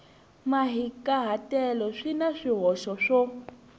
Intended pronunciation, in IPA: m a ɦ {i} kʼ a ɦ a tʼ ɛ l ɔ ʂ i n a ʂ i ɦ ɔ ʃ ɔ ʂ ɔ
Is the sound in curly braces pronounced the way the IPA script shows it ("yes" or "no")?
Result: yes